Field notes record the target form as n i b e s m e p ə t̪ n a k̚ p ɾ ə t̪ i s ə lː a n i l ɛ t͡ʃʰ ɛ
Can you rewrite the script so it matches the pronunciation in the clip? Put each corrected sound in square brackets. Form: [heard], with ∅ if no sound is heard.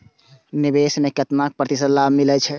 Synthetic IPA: n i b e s m e [k] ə t̪ n a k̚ p ɾ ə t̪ i s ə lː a [m] i l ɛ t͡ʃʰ ɛ